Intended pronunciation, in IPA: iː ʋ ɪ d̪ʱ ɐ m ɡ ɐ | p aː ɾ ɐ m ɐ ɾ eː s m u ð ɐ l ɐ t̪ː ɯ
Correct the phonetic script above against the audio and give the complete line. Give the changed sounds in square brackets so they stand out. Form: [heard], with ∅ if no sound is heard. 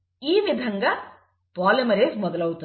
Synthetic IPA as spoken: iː ʋ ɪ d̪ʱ ɐ [ŋ] ɡ ɐ | p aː [l] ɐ m ɐ ɾ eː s m [ɔ] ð ɐ l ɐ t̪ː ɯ